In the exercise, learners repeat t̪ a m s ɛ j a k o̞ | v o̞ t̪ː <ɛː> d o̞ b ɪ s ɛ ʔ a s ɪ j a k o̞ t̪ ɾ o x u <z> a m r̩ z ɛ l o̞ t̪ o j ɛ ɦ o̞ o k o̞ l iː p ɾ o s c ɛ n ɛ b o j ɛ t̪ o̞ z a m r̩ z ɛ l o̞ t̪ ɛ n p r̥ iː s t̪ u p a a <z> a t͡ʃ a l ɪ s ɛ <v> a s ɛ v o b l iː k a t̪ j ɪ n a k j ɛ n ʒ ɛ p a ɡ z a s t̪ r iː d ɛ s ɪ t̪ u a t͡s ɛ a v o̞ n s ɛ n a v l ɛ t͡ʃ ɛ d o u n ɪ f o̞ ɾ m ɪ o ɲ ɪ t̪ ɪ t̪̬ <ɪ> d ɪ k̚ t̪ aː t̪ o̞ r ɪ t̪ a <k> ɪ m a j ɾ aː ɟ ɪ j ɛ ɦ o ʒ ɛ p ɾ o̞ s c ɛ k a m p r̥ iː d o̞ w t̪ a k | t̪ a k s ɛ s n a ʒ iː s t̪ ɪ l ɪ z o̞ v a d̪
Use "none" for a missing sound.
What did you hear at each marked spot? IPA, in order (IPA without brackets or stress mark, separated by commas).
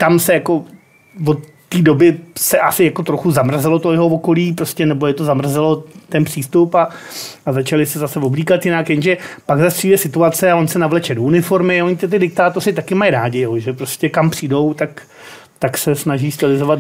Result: iː, z, z, z, ɪ, k